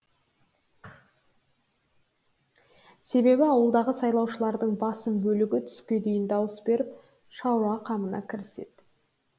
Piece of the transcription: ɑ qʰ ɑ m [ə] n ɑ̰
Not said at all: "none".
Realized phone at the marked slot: ə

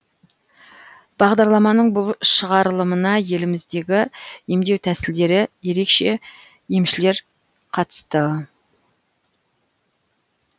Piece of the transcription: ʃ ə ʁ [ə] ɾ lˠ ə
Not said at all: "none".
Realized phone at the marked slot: ɑ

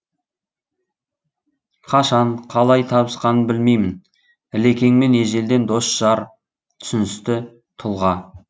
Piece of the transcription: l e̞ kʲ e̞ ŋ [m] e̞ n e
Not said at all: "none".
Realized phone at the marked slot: m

